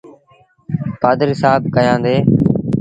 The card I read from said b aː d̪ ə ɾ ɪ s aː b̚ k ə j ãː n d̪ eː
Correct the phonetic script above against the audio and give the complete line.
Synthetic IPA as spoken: p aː d̪ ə ɾ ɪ s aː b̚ k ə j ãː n d̪ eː